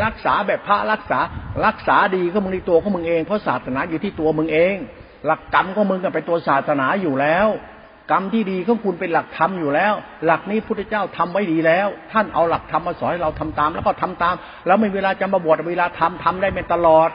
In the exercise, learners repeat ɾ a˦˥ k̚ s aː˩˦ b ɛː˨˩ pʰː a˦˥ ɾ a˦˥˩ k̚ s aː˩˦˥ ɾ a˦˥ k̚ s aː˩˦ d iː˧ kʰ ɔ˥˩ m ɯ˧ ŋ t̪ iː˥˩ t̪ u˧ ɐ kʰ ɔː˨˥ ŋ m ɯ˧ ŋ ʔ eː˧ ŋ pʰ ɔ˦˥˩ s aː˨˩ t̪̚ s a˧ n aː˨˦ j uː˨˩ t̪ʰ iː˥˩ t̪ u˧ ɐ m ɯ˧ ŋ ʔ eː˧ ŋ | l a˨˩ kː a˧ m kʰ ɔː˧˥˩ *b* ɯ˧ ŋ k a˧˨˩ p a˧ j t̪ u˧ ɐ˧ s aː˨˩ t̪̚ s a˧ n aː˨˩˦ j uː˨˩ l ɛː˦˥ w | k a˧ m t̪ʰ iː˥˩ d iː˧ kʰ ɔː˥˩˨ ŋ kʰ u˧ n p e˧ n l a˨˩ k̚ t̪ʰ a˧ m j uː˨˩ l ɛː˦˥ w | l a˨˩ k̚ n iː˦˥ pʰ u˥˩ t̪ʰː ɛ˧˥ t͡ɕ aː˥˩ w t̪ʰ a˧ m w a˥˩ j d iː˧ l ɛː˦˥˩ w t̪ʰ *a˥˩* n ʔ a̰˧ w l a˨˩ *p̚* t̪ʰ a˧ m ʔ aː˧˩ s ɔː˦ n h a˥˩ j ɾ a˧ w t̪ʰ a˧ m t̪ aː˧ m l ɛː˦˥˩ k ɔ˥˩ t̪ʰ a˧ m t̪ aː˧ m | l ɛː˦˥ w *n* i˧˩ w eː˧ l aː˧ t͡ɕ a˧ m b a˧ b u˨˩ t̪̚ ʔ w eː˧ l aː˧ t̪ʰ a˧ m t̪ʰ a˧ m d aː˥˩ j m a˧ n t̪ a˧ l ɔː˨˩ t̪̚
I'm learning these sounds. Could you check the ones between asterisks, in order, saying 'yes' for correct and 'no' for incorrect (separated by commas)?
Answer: no, yes, no, no